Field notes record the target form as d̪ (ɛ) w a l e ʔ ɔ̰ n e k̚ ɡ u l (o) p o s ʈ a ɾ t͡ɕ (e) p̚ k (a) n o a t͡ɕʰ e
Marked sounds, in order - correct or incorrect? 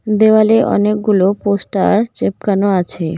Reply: incorrect, correct, correct, correct

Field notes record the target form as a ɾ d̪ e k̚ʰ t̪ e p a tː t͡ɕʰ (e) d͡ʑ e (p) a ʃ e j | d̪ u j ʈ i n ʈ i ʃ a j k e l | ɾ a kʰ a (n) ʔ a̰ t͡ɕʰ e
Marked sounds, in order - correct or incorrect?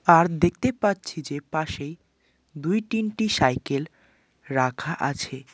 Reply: incorrect, correct, incorrect

